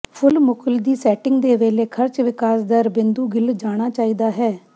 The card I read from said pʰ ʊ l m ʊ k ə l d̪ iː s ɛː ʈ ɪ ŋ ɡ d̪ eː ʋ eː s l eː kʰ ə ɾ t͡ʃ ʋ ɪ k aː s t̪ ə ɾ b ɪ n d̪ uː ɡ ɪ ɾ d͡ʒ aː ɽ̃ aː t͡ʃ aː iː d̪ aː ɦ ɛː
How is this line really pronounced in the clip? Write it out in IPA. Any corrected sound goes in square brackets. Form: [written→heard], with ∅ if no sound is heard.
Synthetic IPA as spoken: pʰ ʊ l m ʊ k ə l d̪ iː s ɛː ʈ ɪ ŋ ɡ d̪ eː ʋ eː [s→∅] l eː kʰ ə ɾ t͡ʃ ʋ ɪ k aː s [t̪→d̪] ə ɾ b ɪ n d̪ uː ɡ ɪ [ɾ→l] d͡ʒ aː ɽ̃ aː t͡ʃ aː iː d̪ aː ɦ ɛː